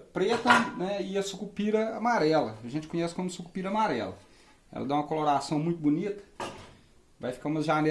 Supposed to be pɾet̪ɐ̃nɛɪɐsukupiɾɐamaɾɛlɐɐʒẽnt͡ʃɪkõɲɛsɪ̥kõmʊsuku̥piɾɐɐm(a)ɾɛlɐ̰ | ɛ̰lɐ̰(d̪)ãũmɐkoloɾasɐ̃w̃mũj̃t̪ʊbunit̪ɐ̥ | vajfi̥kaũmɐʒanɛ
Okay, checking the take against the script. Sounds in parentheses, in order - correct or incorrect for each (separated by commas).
correct, correct